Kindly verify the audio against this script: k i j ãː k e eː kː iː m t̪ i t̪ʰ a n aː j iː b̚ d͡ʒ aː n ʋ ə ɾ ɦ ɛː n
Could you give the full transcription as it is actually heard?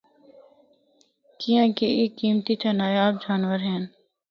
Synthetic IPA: k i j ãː k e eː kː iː m t̪ i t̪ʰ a n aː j aː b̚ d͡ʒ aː n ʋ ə ɾ ɦ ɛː n